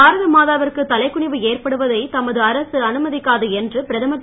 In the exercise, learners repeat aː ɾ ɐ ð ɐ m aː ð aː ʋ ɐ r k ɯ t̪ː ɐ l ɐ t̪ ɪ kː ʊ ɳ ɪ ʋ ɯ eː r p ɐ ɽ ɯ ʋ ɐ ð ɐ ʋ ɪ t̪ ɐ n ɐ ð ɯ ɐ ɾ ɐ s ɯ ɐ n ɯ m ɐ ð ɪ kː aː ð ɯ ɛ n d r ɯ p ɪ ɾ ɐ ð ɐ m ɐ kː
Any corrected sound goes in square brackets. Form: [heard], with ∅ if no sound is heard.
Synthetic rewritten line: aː ɾ ɐ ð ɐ m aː ð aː ʋ ɐ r k ɯ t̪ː ɐ l ɐ [∅] ɪ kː ʊ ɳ ɪ ʋ ɯ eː r p ɐ ɽ ɯ ʋ ɐ ð ɐ [∅] ɪ t̪ ɐ [m] ɐ ð ɯ ɐ ɾ ɐ s ɯ ɐ n ɯ m ɐ ð ɪ kː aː ð ɯ ɛ n d r ɯ p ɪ ɾ ɐ ð ɐ m ɐ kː